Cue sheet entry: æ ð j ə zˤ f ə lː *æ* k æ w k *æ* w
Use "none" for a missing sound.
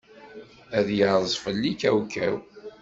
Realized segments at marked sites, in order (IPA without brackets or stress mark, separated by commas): i, æ